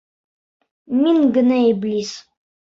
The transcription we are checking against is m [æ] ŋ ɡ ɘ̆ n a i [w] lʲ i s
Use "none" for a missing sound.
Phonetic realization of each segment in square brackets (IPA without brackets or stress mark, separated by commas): i, b